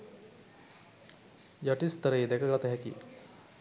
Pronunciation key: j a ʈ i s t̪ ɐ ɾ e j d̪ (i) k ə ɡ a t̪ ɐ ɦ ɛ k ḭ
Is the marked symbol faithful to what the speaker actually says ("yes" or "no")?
no